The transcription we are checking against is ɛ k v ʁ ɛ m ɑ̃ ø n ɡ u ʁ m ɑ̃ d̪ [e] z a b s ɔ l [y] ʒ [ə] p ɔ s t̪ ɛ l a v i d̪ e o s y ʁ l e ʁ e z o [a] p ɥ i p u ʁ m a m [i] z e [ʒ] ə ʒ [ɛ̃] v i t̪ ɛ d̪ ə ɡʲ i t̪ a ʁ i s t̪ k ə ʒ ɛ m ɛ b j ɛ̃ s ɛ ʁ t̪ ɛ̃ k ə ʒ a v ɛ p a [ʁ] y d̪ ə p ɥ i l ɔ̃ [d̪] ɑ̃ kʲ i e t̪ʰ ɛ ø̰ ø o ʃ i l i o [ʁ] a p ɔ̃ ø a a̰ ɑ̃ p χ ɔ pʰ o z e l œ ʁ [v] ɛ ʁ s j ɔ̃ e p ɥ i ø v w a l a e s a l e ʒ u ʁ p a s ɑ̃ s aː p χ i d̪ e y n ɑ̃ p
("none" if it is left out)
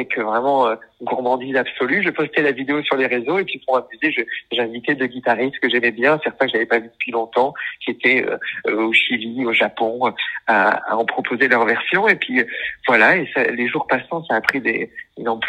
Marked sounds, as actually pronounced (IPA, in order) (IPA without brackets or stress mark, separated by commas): i, y, ə, e, y, ʒ, ɛ̃, v, t̪, ʒ, v